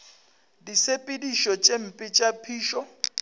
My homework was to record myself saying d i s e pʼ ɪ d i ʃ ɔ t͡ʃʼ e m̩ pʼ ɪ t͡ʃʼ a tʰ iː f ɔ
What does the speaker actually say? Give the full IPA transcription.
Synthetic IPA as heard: d i s e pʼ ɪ d i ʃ ɔ t͡ʃʼ e m̩ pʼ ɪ t͡ʃʼ a pʰ iː ʃ ɔ